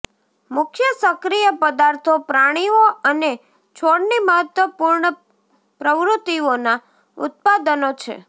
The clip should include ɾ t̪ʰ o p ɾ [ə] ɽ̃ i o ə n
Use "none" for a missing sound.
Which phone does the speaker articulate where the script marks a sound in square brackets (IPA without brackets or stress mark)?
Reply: a